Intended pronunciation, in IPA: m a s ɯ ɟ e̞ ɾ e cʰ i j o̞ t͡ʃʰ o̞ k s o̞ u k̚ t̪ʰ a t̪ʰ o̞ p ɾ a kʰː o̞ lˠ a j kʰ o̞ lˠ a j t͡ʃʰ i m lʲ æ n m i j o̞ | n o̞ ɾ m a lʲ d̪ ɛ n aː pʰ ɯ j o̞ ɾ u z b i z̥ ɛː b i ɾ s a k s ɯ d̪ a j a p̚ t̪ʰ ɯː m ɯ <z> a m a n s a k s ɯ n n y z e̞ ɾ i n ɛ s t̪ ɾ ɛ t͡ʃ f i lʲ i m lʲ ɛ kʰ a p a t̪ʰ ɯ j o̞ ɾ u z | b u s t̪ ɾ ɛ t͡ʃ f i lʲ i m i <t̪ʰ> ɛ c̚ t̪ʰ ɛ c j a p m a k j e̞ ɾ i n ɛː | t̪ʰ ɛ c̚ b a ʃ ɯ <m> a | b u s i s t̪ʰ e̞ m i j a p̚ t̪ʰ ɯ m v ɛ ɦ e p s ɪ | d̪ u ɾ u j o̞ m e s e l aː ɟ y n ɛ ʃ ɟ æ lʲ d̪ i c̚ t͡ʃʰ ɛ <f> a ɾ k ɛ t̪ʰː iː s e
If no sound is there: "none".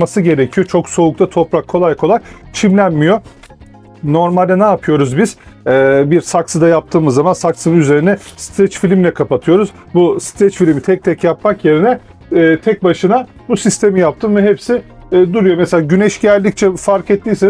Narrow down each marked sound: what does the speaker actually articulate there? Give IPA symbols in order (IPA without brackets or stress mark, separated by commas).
zː, t̪ʰ, n, f